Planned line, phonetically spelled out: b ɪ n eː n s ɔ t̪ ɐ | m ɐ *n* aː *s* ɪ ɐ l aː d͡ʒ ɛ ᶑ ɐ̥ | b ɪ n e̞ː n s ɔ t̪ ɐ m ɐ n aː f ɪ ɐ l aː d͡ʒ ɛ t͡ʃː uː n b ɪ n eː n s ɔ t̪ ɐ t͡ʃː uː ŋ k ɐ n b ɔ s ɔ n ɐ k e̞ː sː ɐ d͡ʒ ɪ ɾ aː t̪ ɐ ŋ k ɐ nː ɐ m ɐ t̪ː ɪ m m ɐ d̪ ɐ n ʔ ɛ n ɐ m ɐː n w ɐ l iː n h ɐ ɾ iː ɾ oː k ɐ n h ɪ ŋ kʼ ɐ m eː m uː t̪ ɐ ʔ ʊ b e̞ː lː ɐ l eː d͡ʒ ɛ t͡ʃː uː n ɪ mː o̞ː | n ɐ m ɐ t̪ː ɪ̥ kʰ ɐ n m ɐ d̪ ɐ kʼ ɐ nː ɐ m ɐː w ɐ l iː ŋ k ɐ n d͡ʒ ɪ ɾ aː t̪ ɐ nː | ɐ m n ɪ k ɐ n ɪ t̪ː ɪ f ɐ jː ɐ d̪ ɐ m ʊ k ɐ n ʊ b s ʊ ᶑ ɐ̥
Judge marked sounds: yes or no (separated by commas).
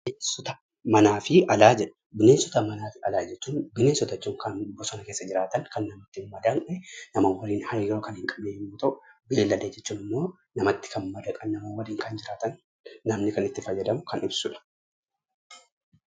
yes, no